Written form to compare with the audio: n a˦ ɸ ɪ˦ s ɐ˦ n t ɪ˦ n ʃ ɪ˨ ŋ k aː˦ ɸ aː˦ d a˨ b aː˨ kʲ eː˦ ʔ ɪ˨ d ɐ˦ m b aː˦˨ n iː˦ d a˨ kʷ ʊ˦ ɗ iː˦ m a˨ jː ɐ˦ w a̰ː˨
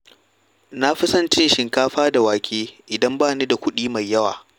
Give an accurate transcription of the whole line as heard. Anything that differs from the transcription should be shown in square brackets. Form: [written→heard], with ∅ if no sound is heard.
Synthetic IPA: n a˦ ɸ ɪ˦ s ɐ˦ n [t→t͡ʃ] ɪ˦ n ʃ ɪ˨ ŋ k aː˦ ɸ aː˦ d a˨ [b→w] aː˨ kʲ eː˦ ʔ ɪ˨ d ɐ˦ m b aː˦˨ n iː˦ d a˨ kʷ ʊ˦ ɗ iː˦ m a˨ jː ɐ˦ w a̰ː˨